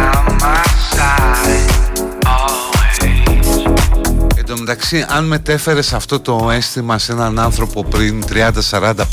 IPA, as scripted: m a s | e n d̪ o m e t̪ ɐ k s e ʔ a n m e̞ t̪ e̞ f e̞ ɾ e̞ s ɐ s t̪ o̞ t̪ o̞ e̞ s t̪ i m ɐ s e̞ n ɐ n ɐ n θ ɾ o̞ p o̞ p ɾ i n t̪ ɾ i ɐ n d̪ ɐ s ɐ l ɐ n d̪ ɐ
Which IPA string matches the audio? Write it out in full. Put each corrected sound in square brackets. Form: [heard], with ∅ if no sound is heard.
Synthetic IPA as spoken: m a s | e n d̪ o m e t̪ ɐ k s [i] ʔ [ɐ] n m e̞ t̪ e̞ f e̞ ɾ e̞ s ɐ [f] t̪ o̞ t̪ o̞ e̞ s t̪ i m ɐ s e̞ n ɐ n ɐ n θ ɾ o̞ p o̞ p ɾ i n t̪ ɾ i ɐ n d̪ ɐ s ɐ [ɾ] ɐ n d̪ ɐ